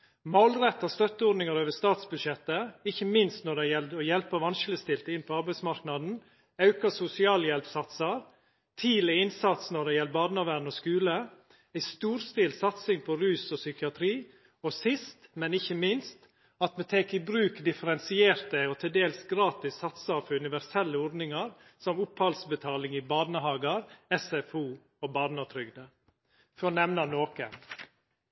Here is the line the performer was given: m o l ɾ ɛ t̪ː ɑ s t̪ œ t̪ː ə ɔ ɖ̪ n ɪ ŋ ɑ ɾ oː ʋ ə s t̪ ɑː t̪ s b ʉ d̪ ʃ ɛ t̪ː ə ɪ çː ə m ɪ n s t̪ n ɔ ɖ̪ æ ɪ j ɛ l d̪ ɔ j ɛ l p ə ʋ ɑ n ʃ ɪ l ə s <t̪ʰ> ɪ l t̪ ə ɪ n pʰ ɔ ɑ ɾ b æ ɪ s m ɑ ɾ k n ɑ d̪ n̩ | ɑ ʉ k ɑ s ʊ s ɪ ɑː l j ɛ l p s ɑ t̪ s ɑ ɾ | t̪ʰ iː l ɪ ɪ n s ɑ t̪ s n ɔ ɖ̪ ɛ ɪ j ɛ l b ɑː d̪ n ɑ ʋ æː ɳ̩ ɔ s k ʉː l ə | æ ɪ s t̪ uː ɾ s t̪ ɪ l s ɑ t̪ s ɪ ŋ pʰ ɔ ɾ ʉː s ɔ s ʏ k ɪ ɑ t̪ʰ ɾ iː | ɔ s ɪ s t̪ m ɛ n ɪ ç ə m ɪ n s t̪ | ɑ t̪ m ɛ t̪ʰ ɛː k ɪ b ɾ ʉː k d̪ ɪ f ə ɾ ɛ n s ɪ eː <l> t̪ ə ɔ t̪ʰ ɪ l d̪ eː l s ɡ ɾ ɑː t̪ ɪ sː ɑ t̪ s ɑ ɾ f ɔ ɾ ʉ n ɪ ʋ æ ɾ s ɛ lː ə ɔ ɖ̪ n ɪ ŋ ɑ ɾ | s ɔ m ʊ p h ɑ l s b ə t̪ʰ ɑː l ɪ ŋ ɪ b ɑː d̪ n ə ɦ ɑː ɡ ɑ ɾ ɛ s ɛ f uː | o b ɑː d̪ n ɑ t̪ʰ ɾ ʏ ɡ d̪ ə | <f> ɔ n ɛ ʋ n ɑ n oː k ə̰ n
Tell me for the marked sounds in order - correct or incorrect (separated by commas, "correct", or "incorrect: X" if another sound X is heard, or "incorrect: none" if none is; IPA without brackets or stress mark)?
incorrect: t̪, incorrect: ɾ, correct